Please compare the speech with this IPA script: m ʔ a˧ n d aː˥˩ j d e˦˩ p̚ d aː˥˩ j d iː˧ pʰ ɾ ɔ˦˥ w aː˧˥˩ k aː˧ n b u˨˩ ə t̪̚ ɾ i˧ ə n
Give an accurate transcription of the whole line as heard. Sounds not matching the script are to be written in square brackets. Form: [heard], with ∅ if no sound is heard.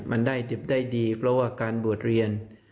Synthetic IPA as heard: m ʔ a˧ n d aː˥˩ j d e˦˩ p̚ d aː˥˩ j d iː˧ pʰ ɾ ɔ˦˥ w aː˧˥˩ k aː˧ n b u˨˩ ə t̪̚ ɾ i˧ ə n